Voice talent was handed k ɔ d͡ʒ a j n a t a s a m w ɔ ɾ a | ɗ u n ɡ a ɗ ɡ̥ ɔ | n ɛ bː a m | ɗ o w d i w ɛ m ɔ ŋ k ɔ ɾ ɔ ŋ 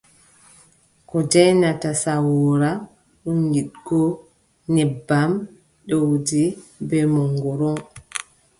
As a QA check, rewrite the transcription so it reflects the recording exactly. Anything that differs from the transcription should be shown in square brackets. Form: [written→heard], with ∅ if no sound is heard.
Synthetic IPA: k ɔ d͡ʒ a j n a t a s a [m→∅] w ɔ ɾ a | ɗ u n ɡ [a→i] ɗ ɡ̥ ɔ | n ɛ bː a m | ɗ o w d i [w→b] ɛ m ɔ ŋ [k→ɡ] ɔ ɾ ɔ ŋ